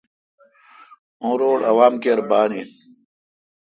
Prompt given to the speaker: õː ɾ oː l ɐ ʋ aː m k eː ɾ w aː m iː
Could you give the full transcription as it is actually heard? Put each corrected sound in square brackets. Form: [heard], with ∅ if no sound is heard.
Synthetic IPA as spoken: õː ɾ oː [ɽ] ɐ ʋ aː m k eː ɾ [b] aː [n] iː